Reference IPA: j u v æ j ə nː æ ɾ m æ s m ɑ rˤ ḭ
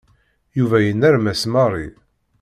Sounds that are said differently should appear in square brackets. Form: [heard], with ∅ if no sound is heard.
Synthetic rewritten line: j u v æ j ə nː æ ɾ m æ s m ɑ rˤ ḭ